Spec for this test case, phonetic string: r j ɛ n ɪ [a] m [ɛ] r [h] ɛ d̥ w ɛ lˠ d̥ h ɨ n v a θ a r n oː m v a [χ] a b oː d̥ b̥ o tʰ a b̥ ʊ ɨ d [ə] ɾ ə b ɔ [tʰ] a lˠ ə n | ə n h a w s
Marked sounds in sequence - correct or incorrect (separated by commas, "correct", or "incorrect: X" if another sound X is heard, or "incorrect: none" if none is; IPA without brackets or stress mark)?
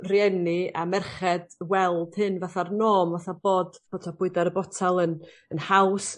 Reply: correct, correct, incorrect: χ, incorrect: θ, incorrect: a, correct